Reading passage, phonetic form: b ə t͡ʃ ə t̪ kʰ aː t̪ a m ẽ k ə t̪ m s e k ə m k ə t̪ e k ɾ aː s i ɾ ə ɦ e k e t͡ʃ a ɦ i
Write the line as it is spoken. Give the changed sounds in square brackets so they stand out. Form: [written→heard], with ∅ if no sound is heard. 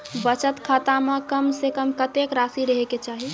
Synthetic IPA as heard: b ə t͡ʃ ə t̪ kʰ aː t̪ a m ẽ k ə [t̪→∅] m s e k ə m k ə t̪ e k ɾ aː s i ɾ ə ɦ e k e t͡ʃ a ɦ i